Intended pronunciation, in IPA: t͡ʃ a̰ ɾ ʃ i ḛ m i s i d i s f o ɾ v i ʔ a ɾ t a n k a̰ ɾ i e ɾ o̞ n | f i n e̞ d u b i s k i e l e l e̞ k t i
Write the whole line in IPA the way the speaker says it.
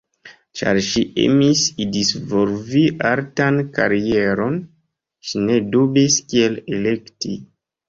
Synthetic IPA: t͡ʃ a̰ ɾ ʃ i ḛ m i s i d i s v o l v i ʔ a ɾ t a n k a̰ ɾ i e ɾ o̞ n | ʃ i n e̞ d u b i s k i e l e l e̞ k t i